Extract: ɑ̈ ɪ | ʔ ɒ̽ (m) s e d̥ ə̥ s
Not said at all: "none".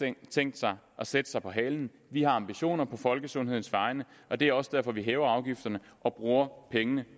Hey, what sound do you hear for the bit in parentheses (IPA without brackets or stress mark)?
none